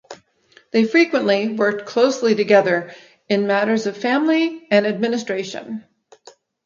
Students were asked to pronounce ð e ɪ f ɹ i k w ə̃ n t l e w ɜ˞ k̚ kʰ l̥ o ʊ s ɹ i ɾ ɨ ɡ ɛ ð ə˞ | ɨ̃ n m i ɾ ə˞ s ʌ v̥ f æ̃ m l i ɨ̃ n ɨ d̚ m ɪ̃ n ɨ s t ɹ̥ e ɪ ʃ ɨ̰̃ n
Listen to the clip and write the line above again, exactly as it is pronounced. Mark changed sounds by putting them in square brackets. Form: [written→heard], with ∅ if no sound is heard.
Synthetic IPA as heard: ð e ɪ f ɹ i k w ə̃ n [t→ʔ] l [e→i] w ɜ˞ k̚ kʰ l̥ o ʊ s [ɹ→l] i ɾ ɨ ɡ ɛ ð ə˞ | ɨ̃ n m [i→æ] ɾ ə˞ [s→z] ʌ v̥ f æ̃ m l i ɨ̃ n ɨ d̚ m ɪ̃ n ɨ s t ɹ̥ e ɪ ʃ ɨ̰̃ n